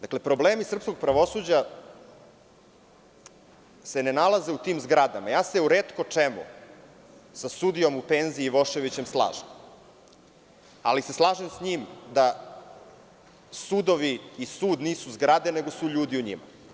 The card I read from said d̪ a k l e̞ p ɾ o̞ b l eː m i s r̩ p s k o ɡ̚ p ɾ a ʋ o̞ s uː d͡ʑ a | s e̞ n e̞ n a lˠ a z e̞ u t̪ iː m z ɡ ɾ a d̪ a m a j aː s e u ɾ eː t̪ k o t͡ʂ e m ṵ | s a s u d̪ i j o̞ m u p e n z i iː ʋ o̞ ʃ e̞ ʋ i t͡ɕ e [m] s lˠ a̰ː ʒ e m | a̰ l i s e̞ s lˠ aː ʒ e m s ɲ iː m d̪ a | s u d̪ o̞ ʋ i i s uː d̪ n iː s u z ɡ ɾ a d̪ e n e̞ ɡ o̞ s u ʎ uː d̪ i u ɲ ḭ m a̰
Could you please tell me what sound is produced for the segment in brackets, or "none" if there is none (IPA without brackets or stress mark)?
m